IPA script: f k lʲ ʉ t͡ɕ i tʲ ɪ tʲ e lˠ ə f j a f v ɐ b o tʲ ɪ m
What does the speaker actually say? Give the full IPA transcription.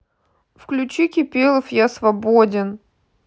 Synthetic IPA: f k lʲ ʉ t͡ɕ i kʲ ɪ pʲ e lˠ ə f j a s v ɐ b o dʲ ɪ n